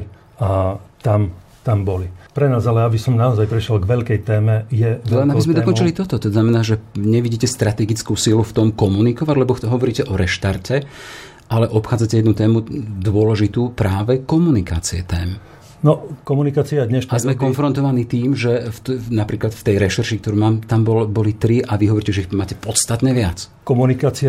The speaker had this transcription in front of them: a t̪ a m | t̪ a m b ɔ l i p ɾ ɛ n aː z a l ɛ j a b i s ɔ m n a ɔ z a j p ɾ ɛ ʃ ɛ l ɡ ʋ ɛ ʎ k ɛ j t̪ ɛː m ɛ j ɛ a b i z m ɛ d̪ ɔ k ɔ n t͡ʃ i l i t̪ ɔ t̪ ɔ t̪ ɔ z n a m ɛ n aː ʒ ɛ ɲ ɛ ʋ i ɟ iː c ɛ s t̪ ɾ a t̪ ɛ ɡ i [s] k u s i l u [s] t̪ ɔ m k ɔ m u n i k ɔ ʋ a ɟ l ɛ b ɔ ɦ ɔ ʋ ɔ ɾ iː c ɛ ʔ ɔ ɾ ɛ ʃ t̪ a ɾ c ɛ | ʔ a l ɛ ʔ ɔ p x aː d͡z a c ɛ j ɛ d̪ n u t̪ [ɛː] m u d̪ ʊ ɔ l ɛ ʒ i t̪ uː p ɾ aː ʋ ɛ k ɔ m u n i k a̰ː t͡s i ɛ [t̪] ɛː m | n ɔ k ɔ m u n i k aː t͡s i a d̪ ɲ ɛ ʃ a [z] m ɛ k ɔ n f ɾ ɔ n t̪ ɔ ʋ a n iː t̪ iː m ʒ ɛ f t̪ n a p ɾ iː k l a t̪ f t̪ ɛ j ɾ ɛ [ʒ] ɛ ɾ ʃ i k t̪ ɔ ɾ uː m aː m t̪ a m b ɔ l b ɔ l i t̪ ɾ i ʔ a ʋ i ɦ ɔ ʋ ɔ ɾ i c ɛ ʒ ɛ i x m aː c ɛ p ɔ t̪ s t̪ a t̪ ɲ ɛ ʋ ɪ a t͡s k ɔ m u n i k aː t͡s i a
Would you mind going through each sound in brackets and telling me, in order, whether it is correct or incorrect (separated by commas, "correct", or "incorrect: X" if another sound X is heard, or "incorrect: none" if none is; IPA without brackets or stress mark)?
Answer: incorrect: t͡s, incorrect: f, correct, correct, correct, incorrect: ʃ